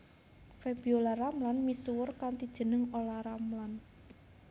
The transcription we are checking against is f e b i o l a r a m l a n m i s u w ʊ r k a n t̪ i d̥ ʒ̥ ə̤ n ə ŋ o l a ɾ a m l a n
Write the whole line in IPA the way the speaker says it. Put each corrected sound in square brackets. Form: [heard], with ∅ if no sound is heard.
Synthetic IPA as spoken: f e b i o l a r a m l a n m i s u w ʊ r k a n t̪ i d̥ ʒ̥ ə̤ n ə ŋ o l a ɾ a m l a n